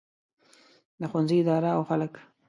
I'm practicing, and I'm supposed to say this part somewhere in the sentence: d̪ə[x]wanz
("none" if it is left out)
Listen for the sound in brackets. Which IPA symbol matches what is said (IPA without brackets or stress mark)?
x